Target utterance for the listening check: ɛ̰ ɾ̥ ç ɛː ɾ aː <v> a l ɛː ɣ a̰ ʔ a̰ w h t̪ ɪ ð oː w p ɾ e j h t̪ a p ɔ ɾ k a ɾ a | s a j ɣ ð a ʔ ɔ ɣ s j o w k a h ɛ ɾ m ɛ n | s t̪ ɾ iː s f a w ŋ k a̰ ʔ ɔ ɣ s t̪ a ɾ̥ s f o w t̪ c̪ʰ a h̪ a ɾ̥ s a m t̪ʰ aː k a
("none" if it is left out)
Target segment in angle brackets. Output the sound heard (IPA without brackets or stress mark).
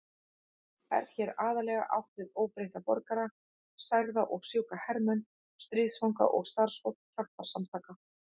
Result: ð